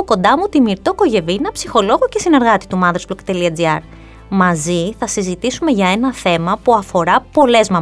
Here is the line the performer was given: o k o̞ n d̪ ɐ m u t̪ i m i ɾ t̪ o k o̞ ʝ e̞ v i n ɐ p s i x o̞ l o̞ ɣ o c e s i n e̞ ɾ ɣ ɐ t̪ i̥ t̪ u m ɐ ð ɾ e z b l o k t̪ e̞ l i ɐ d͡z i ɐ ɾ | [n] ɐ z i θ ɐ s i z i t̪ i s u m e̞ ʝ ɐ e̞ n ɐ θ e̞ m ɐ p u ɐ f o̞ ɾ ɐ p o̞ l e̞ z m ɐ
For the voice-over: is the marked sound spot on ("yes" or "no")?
no